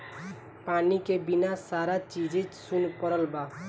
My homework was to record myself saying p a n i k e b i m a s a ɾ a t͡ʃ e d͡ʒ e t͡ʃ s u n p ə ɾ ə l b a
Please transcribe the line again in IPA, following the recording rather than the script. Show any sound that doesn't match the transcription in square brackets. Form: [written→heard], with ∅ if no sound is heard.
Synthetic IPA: p a n i k e b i [m→n] a s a ɾ a t͡ʃ [e→i] d͡ʒ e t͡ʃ s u n p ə ɾ ə l b a

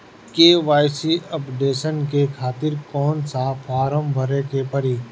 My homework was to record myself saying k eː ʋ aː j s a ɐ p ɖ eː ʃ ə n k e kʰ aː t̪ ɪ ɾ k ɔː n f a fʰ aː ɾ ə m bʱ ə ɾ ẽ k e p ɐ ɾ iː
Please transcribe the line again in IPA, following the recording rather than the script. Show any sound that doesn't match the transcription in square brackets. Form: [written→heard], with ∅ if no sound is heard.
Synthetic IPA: k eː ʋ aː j s [a→i] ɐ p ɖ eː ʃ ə n k e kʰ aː t̪ ɪ ɾ k ɔː n [f→s] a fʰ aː ɾ ə m bʱ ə ɾ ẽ k e p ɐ ɾ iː

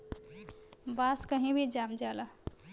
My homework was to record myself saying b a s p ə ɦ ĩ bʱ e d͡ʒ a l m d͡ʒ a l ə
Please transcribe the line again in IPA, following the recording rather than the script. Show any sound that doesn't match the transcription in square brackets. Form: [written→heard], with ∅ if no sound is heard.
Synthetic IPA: b a s [p→k] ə ɦ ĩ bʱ [e→i] d͡ʒ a [l→∅] m d͡ʒ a l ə

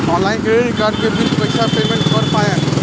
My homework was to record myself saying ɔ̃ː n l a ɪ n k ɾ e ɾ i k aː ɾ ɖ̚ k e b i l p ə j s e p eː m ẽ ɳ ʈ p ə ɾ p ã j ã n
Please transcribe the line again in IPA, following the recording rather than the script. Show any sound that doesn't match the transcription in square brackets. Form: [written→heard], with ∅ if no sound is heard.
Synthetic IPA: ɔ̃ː n l a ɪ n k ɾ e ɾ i k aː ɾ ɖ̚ k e b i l p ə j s [e→a] p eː m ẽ ɳ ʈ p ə ɾ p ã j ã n

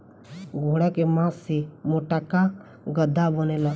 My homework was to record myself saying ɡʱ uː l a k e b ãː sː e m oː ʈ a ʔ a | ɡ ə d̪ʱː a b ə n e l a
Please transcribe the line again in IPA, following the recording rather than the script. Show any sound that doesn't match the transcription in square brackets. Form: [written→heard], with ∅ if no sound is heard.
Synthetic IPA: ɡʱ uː [l→ɽ] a k e [b→m] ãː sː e m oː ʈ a [ʔ→k] a | ɡ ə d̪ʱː a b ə n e l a

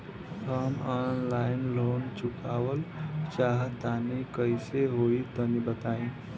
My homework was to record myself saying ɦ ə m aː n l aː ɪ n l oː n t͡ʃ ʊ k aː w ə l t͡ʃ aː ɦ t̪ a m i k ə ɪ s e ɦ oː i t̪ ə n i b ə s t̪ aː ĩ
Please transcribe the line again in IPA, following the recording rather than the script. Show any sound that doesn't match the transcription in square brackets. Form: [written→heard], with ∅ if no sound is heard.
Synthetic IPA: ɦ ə m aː n l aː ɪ n l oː n t͡ʃ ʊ k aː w ə l t͡ʃ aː ɦ t̪ a [m→n] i k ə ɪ s e ɦ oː i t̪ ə n i b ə [s→∅] t̪ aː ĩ

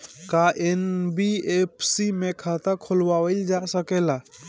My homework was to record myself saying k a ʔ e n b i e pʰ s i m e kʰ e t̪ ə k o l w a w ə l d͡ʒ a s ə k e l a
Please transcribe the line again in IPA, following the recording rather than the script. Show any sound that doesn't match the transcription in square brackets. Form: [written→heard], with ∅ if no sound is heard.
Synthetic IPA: k a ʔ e n b i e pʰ s i m e kʰ [e→a] t̪ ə [k→kʰ] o l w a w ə l d͡ʒ a s ə k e l a

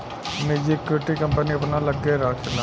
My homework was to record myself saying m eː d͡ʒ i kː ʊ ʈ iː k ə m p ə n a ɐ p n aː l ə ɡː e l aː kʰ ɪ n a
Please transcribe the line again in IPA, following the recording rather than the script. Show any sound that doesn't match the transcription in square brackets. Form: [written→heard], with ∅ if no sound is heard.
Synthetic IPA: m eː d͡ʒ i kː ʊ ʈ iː k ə m p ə n [a→i] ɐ p n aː l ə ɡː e [l→ɾ] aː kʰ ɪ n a

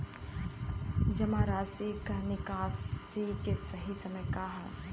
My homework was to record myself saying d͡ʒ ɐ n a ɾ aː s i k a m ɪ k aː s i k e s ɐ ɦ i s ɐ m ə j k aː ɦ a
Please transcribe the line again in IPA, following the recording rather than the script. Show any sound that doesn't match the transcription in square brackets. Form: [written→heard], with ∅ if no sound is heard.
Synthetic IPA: d͡ʒ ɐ [n→m] a ɾ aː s i k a [m→n] ɪ k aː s i k e s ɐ ɦ i s ɐ m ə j k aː ɦ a

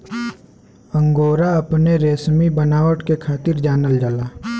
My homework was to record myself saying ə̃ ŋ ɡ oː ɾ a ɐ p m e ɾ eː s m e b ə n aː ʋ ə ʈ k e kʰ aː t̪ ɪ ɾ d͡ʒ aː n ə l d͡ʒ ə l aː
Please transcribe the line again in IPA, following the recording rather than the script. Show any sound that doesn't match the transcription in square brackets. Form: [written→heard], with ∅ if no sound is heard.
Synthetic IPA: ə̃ ŋ ɡ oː ɾ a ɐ p [m→n] e ɾ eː s m [e→i] b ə n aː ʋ ə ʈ k e kʰ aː t̪ ɪ ɾ d͡ʒ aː n ə l d͡ʒ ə l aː

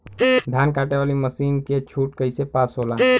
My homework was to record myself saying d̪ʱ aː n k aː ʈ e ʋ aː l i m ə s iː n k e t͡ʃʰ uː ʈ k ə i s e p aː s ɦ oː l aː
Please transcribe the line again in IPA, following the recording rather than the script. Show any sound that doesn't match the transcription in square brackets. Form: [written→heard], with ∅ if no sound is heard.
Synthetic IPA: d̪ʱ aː n k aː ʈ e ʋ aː l i m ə s iː n k e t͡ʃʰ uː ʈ k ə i s e p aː s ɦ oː l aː

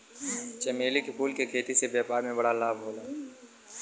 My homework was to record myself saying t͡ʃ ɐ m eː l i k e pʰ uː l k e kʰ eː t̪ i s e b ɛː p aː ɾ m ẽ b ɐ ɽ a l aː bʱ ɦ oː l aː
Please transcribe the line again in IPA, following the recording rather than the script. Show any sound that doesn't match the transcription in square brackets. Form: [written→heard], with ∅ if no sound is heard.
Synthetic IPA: t͡ʃ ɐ m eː l i k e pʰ uː l k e kʰ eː t̪ i s e b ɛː p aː ɾ m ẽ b ɐ ɽ a l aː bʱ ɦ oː l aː

